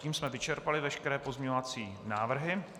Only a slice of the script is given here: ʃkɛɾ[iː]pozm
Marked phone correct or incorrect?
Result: incorrect